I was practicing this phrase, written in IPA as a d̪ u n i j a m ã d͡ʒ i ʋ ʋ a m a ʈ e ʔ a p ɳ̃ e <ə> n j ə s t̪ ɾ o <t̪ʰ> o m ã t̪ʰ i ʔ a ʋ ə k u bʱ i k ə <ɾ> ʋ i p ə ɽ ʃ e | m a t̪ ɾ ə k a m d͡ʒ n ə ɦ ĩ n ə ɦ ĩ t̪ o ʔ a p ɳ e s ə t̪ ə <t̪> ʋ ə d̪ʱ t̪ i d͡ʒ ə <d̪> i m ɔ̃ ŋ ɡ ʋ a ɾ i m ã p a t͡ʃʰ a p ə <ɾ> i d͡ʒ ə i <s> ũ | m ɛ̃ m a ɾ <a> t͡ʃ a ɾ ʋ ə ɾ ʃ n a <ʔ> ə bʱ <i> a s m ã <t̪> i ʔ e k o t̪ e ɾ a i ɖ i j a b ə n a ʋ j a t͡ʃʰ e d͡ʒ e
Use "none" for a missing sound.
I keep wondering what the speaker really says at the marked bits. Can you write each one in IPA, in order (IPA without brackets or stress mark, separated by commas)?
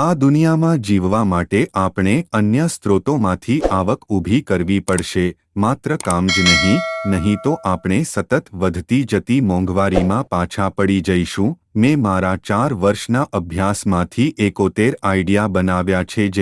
ə, t̪, ɾ, t̪, t̪, ɽ, ʃ, a, ʔ, j, t̪ʰ